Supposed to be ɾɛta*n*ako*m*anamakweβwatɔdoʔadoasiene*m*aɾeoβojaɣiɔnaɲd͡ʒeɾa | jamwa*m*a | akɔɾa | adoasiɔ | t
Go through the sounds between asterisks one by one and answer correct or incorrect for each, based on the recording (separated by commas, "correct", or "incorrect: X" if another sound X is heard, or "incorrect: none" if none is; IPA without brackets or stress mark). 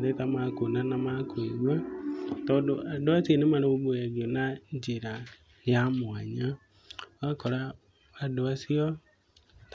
incorrect: m, incorrect: n, correct, incorrect: ɲ